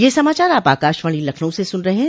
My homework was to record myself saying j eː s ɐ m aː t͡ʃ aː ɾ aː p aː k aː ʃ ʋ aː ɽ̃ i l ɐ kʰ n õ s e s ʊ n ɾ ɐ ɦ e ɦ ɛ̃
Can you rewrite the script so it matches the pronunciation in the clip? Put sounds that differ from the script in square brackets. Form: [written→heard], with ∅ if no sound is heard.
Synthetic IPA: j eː s ɐ m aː t͡ʃ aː ɾ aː p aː k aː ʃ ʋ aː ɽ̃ i l ɐ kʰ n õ s e s ʊ n ɾ ɐ ɦ e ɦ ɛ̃